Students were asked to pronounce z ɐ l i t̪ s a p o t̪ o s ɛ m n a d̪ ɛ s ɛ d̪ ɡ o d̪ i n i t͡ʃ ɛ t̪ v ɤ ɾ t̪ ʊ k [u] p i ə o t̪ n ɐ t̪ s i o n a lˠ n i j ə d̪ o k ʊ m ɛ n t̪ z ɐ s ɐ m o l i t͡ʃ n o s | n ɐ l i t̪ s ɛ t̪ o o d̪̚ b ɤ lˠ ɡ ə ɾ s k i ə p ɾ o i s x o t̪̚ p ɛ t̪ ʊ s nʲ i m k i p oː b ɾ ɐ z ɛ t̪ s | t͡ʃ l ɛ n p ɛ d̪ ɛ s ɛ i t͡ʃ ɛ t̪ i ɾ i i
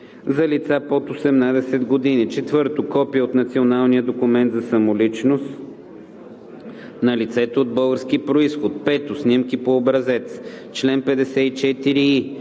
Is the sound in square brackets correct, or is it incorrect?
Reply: incorrect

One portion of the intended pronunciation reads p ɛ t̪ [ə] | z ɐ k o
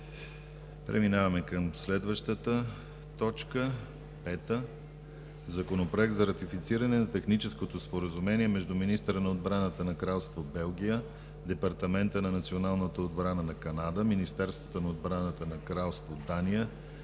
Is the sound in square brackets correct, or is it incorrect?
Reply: correct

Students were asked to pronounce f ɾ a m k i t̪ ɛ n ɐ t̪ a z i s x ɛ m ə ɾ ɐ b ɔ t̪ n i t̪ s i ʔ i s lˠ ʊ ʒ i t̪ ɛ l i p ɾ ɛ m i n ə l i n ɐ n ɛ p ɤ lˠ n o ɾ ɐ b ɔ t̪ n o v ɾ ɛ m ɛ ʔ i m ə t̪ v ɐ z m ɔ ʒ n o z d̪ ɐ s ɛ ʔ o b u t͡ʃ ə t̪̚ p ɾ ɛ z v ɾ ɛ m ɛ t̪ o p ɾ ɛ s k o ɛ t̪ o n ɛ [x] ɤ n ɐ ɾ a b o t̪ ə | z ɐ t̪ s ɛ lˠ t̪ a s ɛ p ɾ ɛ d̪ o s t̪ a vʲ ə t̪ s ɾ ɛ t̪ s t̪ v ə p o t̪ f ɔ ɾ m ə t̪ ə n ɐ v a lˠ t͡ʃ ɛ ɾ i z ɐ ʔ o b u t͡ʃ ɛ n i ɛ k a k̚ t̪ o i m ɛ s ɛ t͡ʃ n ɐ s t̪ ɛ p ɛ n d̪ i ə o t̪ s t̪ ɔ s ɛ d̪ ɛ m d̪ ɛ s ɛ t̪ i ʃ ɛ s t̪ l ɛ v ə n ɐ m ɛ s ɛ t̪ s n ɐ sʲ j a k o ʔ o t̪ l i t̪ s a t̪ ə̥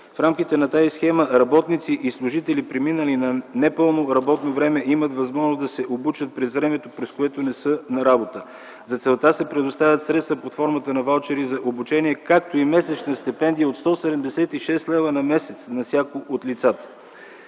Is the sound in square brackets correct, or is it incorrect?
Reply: incorrect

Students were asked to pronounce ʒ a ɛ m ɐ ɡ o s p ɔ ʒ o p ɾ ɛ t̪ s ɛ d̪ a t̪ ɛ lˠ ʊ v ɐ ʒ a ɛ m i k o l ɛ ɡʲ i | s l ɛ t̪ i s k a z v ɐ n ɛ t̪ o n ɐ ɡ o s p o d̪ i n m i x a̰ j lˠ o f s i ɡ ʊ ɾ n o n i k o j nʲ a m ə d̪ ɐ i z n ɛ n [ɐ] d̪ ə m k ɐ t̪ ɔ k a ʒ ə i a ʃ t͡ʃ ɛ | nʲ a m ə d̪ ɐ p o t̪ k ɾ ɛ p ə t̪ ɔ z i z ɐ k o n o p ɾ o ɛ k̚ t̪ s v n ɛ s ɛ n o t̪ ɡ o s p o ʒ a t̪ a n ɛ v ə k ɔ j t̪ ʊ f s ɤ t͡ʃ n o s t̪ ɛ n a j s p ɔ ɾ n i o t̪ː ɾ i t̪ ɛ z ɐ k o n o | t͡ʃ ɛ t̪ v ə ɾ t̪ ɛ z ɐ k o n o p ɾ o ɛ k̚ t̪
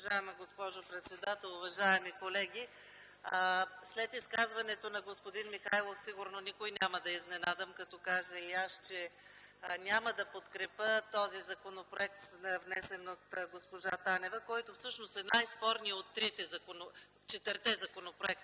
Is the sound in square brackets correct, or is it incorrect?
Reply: incorrect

